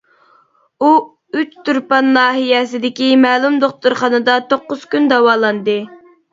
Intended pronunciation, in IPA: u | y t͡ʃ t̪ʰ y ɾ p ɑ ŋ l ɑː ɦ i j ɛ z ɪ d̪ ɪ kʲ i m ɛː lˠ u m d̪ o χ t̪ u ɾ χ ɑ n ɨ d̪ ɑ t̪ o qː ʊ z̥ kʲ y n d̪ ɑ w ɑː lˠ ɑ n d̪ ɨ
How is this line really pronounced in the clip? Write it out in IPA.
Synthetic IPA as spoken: u | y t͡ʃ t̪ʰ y ɾ p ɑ n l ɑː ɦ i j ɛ s ɪ d̪ ɪ kʲ i m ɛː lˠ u m d̪ o χ t̪ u ɾ χ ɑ n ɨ d̪ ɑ t̪ o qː ʊ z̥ kʲ y n d̪ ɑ w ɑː lˠ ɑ n d̪ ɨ